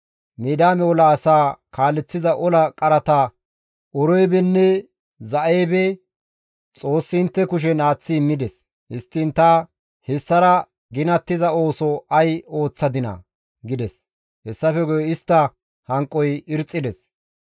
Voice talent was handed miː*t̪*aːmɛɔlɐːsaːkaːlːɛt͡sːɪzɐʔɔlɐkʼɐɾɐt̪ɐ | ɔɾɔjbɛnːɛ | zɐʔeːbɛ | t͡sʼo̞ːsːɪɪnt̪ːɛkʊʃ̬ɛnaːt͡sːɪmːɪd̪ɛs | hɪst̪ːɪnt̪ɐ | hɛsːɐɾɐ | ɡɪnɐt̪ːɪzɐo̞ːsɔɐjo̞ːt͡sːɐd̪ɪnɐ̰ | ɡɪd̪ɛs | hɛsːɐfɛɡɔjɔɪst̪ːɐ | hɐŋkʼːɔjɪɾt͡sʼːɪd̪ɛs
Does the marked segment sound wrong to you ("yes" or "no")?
yes